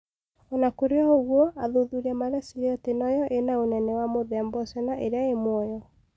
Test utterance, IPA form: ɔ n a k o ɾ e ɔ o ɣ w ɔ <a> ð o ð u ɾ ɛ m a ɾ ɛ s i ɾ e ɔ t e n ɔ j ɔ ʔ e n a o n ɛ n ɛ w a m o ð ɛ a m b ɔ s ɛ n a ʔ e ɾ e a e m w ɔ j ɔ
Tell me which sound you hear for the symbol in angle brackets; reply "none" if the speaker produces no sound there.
a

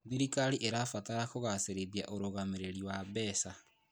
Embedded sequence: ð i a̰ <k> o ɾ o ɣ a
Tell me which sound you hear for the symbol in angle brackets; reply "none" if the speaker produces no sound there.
ʔ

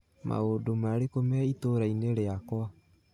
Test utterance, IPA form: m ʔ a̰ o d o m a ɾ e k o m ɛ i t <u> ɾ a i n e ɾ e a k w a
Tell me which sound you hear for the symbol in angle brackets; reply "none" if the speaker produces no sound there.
o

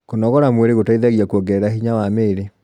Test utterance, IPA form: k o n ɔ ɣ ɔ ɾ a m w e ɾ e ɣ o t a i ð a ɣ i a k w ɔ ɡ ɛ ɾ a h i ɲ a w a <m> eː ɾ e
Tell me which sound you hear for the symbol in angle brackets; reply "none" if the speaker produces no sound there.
m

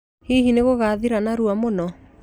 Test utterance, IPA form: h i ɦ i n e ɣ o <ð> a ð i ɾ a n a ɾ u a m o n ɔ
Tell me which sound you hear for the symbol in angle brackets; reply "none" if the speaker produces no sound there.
ɣ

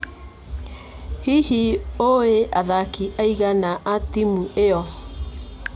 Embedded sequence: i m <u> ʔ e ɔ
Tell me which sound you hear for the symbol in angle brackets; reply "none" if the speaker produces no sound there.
u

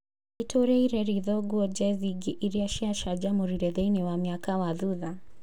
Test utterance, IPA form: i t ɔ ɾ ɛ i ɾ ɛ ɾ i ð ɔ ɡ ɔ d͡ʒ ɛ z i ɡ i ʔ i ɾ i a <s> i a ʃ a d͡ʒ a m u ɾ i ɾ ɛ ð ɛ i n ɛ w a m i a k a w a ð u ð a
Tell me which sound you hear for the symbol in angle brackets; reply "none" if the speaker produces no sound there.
ʃ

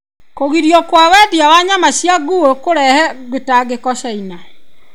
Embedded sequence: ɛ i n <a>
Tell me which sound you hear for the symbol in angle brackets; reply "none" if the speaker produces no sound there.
a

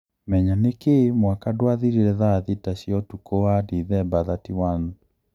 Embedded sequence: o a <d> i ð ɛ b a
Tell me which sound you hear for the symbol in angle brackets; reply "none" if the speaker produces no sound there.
d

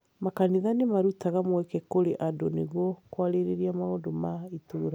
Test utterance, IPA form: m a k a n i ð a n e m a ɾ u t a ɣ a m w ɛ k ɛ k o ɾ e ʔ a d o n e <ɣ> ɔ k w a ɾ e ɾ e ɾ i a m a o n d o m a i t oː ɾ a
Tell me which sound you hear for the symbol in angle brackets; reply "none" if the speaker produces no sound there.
ɣ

